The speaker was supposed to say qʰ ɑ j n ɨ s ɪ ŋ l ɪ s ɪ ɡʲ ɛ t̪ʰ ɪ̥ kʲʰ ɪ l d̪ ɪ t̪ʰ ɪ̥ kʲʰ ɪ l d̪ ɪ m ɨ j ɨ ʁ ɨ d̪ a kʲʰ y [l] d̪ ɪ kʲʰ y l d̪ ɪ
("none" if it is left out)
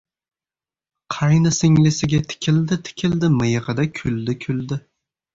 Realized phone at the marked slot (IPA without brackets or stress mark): l